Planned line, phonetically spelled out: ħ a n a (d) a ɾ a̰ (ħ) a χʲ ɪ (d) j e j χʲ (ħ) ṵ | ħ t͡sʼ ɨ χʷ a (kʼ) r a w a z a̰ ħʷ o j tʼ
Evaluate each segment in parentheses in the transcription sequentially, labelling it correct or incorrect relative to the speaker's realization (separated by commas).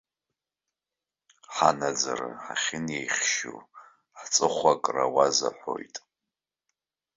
incorrect, correct, incorrect, incorrect, correct